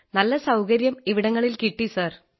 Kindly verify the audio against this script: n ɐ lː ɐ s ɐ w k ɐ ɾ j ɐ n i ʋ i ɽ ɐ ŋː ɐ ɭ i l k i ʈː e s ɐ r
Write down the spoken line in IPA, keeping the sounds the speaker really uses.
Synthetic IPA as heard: n ɐ lː ɐ s ɐ w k ɐ ɾ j ɐ m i ʋ i ɽ ɐ ŋː ɐ ɭ i l k i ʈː i s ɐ r